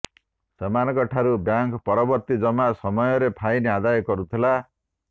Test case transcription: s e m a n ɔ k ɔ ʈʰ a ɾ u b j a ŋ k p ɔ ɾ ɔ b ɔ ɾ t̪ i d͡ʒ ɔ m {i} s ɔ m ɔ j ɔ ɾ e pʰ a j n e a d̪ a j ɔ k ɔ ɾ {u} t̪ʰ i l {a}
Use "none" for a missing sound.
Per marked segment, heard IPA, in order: a, u, a

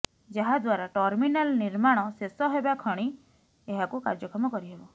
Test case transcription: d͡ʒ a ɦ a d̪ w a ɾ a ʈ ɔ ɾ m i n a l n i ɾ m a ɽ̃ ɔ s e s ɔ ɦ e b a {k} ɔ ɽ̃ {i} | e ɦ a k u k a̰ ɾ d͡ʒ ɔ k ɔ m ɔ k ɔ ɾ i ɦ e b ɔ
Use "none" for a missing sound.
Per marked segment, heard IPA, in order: kʰ, i

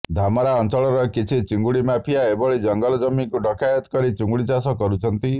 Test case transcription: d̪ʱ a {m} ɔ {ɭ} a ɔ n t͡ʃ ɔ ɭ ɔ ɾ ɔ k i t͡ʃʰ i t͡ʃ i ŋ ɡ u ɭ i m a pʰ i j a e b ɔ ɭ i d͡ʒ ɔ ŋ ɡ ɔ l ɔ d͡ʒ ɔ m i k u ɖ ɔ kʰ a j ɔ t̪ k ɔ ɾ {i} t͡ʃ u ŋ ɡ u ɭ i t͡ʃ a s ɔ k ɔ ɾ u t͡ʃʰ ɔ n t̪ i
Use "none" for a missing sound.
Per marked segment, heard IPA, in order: m, ɾ, i

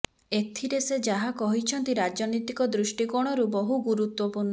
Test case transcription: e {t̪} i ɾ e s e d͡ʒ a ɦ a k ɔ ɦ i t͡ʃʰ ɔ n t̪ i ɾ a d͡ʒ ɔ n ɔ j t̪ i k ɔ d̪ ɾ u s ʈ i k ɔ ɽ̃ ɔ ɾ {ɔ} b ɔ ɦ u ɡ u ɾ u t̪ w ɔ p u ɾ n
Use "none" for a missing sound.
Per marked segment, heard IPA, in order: t̪ʰ, u

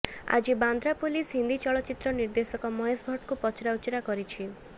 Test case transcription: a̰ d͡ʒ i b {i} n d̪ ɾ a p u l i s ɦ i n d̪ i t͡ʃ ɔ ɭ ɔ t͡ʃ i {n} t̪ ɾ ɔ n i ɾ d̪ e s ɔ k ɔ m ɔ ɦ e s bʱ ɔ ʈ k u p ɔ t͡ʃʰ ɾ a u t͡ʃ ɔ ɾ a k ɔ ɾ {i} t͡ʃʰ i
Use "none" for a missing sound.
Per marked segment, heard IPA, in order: a, none, i

